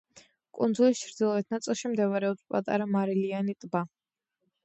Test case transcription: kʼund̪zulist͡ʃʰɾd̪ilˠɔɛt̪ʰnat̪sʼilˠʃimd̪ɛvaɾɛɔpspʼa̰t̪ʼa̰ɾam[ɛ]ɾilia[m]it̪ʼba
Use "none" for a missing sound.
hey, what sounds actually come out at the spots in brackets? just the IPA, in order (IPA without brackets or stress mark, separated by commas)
a, n